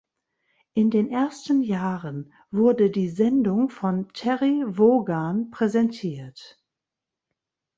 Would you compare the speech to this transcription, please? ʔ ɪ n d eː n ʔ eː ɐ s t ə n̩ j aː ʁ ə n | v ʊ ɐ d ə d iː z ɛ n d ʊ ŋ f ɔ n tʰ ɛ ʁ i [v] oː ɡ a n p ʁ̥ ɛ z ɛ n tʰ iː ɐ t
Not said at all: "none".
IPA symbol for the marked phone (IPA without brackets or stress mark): v